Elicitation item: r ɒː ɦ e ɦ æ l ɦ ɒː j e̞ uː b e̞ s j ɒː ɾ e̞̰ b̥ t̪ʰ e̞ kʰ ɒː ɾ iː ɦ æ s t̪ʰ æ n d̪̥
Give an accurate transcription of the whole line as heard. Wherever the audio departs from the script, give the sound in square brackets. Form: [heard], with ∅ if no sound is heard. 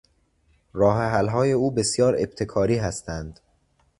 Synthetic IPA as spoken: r ɒː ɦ e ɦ æ l ɦ ɒː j e̞ uː b e̞ s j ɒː ɾ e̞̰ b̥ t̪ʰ e̞ kʰ ɒː ɾ iː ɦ æ s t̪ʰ æ n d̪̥

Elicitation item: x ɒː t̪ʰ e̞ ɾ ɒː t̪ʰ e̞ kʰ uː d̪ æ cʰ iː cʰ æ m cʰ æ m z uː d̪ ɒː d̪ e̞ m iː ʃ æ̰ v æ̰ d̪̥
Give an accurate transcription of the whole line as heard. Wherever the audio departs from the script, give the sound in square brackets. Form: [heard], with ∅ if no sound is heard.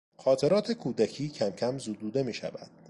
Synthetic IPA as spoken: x ɒː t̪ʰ e̞ ɾ ɒː t̪ʰ e̞ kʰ uː d̪ æ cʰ iː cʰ æ m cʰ æ m z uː d̪ [uː] d̪ e̞ m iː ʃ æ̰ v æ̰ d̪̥

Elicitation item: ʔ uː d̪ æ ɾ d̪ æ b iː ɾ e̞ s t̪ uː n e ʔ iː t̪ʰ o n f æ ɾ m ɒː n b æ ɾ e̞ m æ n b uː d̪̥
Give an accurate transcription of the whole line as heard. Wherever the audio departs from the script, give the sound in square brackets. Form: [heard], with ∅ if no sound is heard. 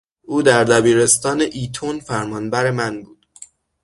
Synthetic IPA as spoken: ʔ uː d̪ æ ɾ d̪ æ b iː ɾ e̞ s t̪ [ɒː] n e ʔ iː t̪ʰ o n f æ ɾ m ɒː n b æ ɾ e̞ m æ n b uː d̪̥

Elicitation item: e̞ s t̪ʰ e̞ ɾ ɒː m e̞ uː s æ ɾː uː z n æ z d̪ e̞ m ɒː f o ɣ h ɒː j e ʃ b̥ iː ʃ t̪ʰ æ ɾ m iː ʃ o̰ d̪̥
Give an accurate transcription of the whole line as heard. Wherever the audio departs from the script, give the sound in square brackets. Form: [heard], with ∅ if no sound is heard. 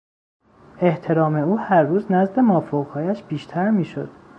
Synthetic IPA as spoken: e̞ [h] t̪ʰ e̞ ɾ ɒː m e̞ uː [h] æ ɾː uː z n æ z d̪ e̞ m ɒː f o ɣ h ɒː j [æ] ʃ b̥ iː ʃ t̪ʰ æ ɾ m iː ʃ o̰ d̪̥

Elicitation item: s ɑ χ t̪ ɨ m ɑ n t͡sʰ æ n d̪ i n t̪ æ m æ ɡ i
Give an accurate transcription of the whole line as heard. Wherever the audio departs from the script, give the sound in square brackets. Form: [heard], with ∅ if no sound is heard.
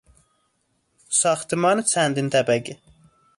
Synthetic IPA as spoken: s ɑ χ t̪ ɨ m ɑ n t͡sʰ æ n d̪ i n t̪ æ [b] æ ɡ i

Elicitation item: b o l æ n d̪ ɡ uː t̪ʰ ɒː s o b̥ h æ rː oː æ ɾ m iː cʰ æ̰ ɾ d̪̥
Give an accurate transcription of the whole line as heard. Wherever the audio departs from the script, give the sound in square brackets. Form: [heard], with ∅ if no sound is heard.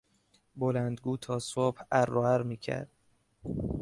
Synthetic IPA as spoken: b o l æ n d̪ ɡ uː t̪ʰ ɒː s o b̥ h æ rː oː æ ɾ m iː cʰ æ̰ ɾ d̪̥

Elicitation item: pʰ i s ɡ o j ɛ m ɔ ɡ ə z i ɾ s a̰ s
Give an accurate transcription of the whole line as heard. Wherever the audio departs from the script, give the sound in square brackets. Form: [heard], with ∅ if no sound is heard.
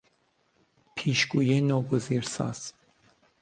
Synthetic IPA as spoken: pʰ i [ʃ] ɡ [u] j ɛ [n] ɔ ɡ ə z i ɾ s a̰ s

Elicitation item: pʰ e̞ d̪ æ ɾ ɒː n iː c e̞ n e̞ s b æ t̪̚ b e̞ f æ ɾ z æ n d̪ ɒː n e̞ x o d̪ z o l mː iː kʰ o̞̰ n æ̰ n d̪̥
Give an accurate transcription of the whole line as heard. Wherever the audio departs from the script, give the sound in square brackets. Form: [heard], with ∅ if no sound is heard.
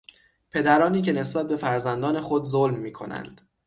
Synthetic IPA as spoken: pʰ e̞ d̪ æ ɾ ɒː n iː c e̞ n e̞ s b æ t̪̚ b e̞ f æ ɾ z æ n d̪ ɒː n e̞ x o d̪ z o l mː iː kʰ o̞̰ n æ̰ n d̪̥

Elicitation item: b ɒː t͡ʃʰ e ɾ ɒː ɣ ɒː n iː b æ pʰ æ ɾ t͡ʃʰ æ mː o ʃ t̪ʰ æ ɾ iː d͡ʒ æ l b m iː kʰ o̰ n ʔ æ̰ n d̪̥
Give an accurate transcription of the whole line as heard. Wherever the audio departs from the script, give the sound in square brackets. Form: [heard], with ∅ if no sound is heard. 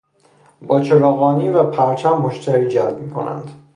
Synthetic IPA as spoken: b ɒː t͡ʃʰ e ɾ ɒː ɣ ɒː n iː [v] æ pʰ æ ɾ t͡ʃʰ æ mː o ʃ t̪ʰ æ ɾ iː d͡ʒ æ l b m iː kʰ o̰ n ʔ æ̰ n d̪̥

